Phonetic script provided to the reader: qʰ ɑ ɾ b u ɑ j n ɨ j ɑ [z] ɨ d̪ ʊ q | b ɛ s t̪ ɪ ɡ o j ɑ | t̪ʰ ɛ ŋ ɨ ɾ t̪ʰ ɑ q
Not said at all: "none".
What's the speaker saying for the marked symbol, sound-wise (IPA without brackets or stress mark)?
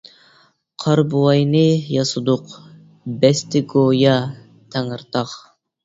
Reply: s